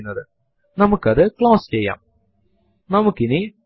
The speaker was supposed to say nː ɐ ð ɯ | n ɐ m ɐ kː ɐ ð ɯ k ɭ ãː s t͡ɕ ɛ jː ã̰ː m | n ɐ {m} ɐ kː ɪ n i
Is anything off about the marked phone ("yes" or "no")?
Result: no